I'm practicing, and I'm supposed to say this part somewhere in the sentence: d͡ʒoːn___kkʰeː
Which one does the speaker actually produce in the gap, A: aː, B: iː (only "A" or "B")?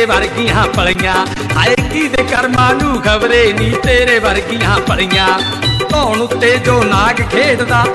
A